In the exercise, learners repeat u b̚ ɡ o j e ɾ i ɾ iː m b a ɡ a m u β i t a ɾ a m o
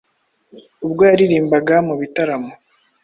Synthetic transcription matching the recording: u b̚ ɡ o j a ɾ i ɾ iː m b a ɡ a m u β i t a ɾ a m o